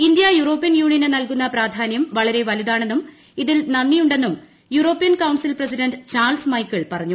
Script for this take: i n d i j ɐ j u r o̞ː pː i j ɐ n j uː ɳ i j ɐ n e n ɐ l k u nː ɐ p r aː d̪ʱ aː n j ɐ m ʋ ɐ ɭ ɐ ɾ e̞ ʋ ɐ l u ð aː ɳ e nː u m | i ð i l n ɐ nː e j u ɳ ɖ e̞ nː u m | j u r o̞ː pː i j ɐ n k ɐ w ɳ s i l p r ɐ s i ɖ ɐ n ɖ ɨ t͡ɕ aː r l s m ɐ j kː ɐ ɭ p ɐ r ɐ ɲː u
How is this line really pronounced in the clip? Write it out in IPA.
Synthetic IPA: i n d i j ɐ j u r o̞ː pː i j ɐ n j uː ɳ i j ɐ n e n ɐ l k u nː ɐ p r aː d̪ʱ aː n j ɐ m ʋ ɐ ɭ ɐ ɾ e̞ ʋ ɐ l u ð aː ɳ e nː u m | i ð i l n ɐ nː i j u ɳ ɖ e̞ nː u m | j u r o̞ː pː i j ɐ n k ɐ w ɳ s i l p r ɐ s i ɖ ɐ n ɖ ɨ t͡ɕ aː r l s m ɐ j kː ɐ ɭ p ɐ r ɐ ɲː u